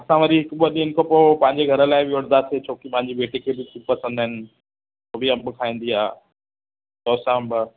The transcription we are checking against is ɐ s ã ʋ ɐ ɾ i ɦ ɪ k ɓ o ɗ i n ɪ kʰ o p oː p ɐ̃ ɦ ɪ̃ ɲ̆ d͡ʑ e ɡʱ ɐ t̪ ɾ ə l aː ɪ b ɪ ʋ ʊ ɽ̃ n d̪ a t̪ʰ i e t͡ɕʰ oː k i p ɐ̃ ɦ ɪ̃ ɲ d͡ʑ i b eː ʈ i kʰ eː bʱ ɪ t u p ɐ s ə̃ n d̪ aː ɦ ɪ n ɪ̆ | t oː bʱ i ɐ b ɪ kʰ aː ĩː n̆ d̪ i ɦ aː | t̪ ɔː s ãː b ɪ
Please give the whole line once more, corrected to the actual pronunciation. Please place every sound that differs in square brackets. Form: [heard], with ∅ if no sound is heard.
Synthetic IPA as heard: ɐ s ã ʋ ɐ ɾ i ɦ ɪ k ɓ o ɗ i n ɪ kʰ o p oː p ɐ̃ ɦ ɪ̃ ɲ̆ d͡ʑ e ɡʱ ɐ [∅] ɾ ə l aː ɪ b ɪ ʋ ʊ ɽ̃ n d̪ a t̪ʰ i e t͡ɕʰ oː k i p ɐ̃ ɦ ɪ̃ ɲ d͡ʑ i b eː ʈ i kʰ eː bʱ ɪ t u p ɐ s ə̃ n d̪ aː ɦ ɪ n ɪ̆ | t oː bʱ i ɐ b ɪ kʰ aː ĩː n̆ d̪ i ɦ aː | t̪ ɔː s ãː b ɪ